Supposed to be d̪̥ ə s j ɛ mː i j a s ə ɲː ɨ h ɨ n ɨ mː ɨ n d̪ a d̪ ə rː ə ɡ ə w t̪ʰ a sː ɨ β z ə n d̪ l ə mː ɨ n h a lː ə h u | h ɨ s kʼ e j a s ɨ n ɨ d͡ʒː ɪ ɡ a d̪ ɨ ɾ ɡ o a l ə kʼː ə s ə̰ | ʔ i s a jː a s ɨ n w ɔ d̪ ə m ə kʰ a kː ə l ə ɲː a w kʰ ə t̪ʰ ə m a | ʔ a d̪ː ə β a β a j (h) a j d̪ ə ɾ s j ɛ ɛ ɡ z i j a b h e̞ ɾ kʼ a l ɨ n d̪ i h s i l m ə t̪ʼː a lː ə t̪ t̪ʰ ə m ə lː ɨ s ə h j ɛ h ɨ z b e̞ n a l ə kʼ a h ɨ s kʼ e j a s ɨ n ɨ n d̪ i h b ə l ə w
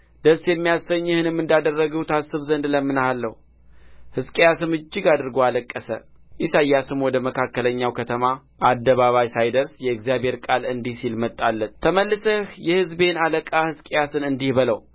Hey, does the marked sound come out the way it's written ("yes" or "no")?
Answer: no